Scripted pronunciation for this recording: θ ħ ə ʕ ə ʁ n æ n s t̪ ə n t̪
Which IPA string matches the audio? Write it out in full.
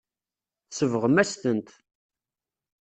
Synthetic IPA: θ s ə v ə ʁ m æ s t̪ ə n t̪